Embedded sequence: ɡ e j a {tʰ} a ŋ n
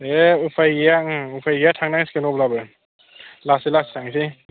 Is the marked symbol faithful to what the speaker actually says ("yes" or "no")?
yes